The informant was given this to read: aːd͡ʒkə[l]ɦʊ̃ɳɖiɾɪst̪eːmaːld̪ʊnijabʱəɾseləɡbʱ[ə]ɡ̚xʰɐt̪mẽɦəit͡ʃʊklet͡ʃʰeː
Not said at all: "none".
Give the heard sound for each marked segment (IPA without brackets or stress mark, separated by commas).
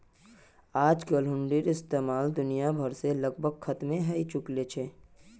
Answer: l, ə